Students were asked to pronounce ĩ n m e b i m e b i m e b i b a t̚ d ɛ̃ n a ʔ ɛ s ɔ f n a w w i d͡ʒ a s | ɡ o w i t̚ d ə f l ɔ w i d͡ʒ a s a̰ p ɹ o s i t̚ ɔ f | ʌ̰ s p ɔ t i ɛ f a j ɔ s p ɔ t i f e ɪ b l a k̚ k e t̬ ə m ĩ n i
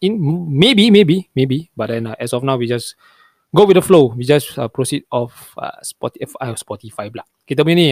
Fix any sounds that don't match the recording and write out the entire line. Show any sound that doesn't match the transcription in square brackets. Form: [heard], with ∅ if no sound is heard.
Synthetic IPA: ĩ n m e b i m e b i m e b i b a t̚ d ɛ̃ n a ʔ ɛ s ɔ f n a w w i d͡ʒ a s | ɡ o w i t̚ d ə f l [o] w i d͡ʒ a s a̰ p ɹ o s i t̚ ɔ f | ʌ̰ s p ɔ t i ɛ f a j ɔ s p ɔ t i f [a] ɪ b l a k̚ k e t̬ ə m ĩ n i